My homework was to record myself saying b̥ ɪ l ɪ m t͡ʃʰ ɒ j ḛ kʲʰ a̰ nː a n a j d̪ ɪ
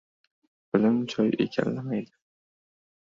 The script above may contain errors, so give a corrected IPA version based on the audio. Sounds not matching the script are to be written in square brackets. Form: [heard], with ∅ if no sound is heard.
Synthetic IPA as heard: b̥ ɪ l ɪ m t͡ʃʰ ɒ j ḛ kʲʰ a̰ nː a [m] a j d̪ ɪ